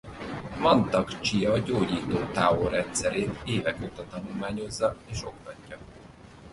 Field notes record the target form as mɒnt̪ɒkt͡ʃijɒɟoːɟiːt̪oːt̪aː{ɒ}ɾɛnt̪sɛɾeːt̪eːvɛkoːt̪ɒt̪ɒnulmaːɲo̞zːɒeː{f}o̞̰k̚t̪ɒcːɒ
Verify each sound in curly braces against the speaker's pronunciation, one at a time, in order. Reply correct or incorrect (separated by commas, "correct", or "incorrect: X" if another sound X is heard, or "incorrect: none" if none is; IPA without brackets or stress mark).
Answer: incorrect: o, incorrect: ʃ